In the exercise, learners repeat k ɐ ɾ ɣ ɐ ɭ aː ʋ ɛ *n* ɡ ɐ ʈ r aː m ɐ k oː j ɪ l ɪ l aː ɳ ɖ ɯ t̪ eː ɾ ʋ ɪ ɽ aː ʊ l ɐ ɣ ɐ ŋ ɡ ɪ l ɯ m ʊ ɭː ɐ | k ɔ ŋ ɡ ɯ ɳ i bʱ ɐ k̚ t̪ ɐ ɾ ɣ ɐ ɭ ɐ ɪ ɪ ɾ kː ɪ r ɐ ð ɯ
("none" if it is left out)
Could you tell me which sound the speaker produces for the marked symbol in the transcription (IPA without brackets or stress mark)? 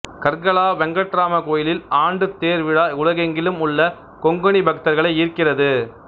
ŋ